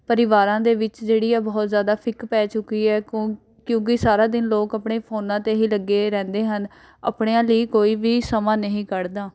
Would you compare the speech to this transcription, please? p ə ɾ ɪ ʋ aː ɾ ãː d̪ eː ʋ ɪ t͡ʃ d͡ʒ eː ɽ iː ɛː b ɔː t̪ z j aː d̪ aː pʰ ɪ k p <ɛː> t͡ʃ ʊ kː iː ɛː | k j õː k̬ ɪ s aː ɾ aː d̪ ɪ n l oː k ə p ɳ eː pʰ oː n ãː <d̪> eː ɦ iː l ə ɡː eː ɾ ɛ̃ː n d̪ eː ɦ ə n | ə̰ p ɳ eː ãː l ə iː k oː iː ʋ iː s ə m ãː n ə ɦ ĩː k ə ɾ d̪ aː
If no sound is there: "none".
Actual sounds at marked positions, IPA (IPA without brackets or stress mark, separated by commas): ɛː, t̪